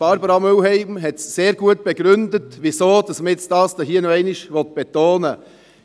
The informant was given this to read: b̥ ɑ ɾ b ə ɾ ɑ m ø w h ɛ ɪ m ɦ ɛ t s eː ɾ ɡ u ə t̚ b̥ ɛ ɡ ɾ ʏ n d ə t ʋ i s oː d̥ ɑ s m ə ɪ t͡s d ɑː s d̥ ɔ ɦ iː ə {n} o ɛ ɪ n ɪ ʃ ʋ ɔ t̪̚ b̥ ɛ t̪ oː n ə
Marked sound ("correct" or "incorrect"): correct